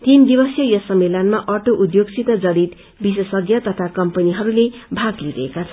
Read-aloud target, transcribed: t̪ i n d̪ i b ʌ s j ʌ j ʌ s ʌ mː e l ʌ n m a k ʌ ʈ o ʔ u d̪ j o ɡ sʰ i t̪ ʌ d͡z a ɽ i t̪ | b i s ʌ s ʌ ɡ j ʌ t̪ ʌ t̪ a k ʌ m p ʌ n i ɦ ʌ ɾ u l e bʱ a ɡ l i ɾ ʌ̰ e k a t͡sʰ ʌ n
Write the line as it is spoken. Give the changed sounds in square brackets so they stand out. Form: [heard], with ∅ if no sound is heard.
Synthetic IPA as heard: t̪ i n d̪ i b ʌ s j ʌ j ʌ s ʌ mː e l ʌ n m a [ʔ] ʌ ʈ o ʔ u d̪ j o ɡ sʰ i t̪ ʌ d͡z [ʌ] ɽ i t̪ | b i s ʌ s ʌ ɡ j ʌ t̪ ʌ [t̪ʰ] a k ʌ m p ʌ n i ɦ ʌ ɾ u l e bʱ a ɡ l i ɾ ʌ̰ e k a t͡sʰ ʌ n

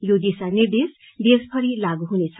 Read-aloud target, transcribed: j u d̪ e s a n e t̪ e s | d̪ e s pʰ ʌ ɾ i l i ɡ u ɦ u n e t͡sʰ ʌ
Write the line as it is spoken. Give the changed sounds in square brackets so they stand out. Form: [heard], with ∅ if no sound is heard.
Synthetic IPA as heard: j [o] d̪ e s a n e [d̪] e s | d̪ e s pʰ ʌ ɾ i l [a] ɡ u ɦ u n e t͡sʰ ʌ

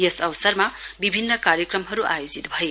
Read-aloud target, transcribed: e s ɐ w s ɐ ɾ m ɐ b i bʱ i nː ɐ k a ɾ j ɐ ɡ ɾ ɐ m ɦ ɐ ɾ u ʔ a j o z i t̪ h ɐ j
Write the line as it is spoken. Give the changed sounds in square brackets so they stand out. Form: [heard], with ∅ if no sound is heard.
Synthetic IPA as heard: e s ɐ w s ɐ ɾ m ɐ b i bʱ i nː ɐ k a ɾ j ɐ [k] ɾ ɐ m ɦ ɐ ɾ u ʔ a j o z i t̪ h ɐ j

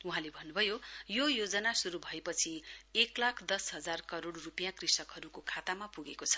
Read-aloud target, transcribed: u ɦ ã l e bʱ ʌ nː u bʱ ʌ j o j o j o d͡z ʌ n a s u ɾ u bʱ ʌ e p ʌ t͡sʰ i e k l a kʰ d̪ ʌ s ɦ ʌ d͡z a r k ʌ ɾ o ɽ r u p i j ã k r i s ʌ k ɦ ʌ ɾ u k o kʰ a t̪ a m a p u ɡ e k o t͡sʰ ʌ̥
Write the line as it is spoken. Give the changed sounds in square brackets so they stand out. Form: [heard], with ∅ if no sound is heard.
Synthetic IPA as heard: u ɦ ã l e bʱ ʌ nː u bʱ ʌ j o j o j o d͡z ʌ n a s u ɾ u bʱ ʌ e p ʌ t͡sʰ i e k l a kʰ d̪ ʌ s ɦ ʌ d͡z a r k ʌ ɾ o ɽ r u p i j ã k r i s ʌ k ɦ ʌ ɾ u k o kʰ a t̪ a m a p u ɡ e k o t͡sʰ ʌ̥

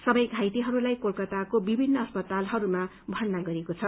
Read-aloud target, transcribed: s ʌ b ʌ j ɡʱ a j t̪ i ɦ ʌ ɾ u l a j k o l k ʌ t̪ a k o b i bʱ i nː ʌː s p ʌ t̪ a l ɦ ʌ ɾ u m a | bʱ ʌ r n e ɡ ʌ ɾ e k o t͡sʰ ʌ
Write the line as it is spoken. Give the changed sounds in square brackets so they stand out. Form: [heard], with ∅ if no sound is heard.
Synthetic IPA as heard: s ʌ b ʌ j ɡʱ a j t̪ i ɦ ʌ ɾ u l a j k o l k ʌ t̪ a k o b i bʱ i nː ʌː s p ʌ t̪ a l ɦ ʌ ɾ u m a | bʱ ʌ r n [a] ɡ ʌ ɾ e k o t͡sʰ ʌ

